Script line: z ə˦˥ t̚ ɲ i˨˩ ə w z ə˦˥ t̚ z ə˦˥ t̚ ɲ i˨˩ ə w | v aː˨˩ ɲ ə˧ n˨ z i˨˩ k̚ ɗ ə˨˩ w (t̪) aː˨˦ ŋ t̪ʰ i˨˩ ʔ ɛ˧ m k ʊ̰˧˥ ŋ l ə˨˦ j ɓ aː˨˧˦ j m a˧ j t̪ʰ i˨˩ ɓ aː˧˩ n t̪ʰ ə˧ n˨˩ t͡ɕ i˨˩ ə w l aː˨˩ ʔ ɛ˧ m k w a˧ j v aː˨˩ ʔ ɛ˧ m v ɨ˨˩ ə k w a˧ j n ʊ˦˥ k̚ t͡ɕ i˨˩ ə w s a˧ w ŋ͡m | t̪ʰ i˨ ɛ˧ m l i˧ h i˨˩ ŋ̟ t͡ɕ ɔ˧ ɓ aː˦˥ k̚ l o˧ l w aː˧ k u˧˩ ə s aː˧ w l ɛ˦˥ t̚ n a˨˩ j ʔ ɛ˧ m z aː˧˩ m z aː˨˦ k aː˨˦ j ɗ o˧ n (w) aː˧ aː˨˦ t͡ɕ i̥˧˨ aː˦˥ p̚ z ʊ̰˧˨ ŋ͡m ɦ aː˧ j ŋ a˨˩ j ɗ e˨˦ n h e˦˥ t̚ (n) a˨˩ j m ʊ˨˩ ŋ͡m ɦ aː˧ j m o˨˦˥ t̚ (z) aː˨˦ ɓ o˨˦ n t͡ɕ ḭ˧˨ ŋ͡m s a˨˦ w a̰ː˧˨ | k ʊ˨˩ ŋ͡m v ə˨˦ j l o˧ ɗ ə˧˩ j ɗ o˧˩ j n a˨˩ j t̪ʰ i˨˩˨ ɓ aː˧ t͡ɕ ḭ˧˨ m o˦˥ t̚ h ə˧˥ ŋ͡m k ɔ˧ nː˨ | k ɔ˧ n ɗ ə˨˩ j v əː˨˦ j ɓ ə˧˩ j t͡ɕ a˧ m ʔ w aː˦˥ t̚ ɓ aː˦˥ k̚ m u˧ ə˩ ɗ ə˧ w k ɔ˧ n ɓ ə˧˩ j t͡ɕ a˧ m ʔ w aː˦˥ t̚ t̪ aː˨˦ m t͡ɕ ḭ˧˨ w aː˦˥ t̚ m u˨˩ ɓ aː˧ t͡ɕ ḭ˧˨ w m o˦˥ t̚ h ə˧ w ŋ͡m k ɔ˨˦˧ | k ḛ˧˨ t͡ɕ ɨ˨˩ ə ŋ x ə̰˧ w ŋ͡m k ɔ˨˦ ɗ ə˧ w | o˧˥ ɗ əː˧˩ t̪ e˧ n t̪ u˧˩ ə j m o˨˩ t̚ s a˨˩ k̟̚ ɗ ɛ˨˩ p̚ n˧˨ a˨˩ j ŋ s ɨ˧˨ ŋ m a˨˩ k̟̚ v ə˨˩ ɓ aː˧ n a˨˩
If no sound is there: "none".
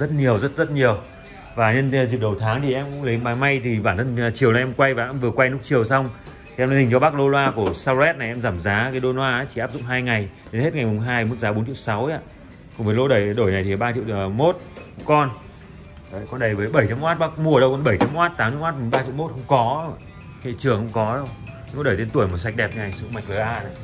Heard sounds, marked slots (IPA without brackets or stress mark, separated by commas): t̪ʰ, w, ŋ, z